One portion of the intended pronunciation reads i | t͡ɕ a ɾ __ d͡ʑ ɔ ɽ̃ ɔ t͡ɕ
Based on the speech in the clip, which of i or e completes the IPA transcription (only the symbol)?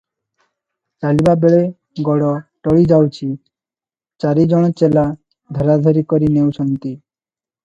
i